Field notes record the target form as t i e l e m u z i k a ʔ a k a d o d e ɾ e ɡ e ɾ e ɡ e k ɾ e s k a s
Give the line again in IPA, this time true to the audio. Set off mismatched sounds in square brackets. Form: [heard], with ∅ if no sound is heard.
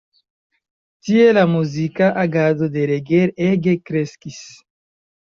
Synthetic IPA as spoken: t i e l [a] m u z i k a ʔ a [ɡ] a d o d e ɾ e ɡ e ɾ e ɡ e k ɾ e s k [i] s